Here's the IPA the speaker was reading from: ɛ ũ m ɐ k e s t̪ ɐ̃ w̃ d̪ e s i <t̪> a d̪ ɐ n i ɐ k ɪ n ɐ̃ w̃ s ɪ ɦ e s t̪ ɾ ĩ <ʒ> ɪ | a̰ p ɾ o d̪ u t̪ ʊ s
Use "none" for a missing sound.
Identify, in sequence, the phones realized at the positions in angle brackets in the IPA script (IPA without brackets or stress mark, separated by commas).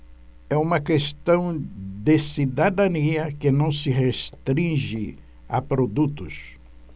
d̪, ʒ